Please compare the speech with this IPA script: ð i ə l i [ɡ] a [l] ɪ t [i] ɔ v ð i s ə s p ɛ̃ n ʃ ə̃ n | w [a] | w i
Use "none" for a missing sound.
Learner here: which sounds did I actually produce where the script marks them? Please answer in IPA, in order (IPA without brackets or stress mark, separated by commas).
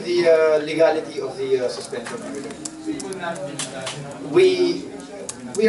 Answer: ɡ, l, i, i